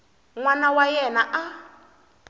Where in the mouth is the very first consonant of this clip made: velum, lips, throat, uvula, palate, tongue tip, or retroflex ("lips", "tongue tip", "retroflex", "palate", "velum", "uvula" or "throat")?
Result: velum